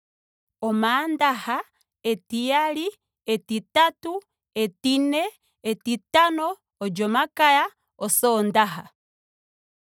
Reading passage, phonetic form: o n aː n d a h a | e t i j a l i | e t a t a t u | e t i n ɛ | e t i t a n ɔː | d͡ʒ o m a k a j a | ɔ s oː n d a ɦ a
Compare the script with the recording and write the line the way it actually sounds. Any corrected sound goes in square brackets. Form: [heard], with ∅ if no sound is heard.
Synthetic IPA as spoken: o [m] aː n d a h a | e t i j a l i | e t [i] t a t u | e t i n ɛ | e t i t a n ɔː | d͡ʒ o m a k a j a | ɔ s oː n d a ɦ a